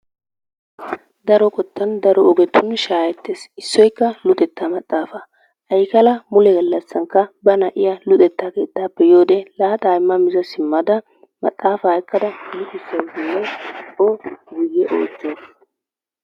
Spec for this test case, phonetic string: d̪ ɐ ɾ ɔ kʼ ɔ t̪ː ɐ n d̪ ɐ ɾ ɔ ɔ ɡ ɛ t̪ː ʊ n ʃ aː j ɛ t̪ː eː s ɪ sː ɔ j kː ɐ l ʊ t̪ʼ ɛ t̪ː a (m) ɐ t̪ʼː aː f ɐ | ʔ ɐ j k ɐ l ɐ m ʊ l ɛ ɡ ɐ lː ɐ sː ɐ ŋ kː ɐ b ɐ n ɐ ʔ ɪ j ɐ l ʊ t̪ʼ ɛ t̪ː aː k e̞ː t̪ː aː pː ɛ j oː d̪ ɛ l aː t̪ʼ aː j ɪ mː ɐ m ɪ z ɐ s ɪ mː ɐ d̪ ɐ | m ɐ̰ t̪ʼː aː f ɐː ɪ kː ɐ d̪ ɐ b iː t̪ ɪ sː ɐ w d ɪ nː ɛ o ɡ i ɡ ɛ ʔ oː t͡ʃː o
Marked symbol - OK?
yes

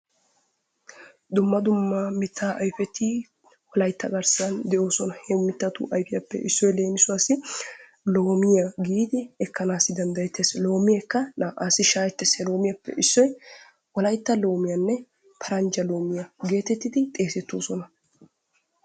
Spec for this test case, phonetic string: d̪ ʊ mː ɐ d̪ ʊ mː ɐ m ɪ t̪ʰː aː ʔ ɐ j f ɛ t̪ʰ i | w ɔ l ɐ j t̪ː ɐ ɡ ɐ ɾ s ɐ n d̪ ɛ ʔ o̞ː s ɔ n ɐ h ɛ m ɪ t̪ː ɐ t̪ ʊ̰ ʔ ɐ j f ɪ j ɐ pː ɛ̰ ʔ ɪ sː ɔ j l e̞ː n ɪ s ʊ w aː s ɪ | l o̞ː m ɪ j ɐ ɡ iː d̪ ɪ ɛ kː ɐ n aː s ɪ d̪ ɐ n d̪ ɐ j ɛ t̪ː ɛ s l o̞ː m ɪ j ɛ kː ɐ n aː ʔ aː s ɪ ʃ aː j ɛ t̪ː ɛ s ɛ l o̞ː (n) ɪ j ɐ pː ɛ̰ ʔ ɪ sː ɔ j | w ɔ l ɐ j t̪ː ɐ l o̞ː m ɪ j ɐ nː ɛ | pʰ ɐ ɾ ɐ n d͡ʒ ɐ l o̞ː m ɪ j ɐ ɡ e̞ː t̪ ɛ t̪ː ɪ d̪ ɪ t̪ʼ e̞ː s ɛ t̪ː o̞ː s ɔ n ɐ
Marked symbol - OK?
no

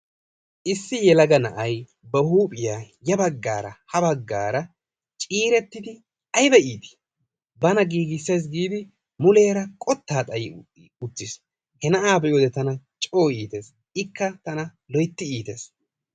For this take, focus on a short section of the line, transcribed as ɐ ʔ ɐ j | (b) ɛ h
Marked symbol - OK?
yes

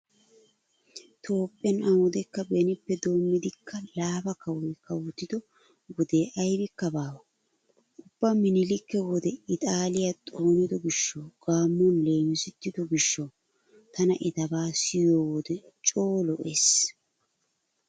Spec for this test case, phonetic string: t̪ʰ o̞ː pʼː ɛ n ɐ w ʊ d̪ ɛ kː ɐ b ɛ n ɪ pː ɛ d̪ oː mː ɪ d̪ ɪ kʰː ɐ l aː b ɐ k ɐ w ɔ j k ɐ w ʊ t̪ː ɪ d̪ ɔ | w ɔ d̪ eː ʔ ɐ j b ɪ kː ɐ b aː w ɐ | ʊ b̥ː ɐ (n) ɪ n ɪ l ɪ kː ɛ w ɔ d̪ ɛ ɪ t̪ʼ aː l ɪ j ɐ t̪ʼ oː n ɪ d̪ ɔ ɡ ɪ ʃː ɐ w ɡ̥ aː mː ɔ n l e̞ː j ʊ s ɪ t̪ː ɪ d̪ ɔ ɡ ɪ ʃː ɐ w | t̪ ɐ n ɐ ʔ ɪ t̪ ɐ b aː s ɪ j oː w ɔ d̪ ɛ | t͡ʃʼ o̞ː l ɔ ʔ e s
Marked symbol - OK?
no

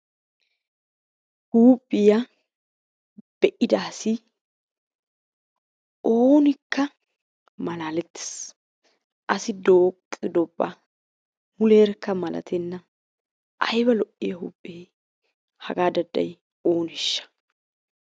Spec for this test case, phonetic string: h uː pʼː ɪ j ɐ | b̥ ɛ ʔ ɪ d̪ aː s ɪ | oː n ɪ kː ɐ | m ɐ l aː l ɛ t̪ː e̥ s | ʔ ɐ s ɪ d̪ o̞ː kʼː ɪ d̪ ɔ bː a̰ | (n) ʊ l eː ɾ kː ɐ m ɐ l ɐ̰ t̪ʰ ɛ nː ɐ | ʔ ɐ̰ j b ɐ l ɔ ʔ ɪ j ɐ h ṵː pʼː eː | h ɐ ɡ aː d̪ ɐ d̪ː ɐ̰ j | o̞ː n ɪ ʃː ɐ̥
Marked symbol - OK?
no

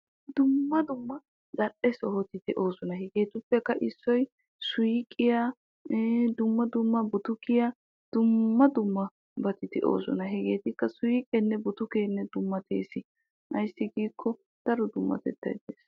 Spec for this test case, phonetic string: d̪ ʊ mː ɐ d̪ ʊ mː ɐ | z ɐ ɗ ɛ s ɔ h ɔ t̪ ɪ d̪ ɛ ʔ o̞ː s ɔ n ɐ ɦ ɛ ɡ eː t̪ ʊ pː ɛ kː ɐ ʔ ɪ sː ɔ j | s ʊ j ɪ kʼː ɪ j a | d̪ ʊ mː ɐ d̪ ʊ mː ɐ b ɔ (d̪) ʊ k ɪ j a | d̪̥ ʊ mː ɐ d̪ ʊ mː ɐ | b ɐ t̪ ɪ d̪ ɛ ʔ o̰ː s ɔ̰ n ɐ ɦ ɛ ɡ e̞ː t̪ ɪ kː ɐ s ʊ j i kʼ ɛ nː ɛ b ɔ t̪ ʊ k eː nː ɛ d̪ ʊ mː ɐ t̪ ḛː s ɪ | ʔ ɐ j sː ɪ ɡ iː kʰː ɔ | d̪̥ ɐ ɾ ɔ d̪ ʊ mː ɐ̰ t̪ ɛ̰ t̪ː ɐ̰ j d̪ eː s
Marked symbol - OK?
no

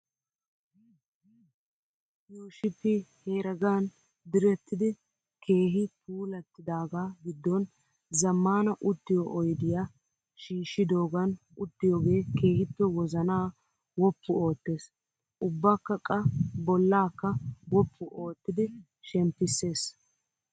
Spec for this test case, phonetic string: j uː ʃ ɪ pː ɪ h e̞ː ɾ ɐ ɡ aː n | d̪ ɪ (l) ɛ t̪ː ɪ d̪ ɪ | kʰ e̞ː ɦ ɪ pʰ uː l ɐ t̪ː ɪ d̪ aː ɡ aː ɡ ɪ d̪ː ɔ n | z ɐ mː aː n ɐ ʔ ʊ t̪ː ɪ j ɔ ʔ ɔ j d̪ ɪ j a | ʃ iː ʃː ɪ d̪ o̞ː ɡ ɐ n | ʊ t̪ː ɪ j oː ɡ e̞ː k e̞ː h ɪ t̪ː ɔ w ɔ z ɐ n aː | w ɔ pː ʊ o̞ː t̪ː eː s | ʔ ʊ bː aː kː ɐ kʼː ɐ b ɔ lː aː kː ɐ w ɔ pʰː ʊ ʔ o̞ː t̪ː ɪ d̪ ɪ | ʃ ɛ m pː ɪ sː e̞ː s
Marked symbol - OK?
no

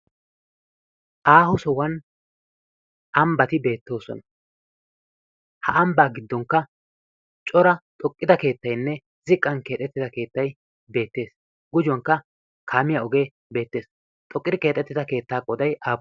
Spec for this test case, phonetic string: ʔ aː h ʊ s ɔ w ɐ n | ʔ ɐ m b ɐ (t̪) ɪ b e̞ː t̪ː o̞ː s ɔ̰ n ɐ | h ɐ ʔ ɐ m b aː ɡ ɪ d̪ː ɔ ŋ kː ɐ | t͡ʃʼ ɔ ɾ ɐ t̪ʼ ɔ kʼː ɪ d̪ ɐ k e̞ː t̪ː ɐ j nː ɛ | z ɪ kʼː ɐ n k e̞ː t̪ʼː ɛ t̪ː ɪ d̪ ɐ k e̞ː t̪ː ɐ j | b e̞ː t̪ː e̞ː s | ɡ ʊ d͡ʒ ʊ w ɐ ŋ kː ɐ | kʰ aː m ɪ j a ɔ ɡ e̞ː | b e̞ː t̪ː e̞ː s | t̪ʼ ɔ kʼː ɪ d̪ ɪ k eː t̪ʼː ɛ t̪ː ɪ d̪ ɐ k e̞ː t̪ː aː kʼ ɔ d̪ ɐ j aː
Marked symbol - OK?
yes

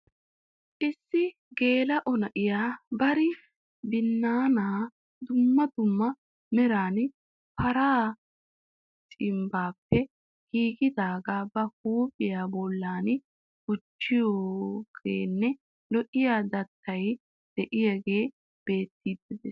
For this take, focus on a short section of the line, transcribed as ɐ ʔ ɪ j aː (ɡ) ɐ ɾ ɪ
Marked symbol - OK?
no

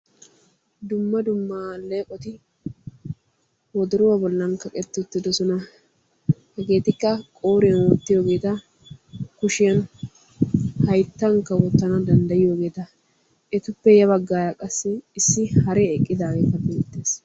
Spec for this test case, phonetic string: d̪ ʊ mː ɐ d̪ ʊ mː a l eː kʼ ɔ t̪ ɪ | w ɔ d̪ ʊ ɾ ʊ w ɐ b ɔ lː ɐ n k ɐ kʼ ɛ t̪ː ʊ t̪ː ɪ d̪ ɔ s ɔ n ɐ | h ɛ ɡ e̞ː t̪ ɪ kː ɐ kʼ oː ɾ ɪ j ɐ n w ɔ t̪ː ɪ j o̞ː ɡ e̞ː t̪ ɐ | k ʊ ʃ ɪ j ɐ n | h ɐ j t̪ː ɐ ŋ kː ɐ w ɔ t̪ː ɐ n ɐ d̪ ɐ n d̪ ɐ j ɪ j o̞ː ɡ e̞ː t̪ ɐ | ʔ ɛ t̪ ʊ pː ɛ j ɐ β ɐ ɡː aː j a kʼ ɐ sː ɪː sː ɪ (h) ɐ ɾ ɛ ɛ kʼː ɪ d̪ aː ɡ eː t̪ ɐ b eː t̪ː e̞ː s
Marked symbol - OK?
yes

